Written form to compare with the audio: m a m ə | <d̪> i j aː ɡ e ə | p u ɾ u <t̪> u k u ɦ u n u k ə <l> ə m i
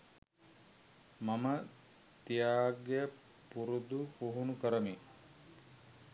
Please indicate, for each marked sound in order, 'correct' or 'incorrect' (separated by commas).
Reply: incorrect, incorrect, incorrect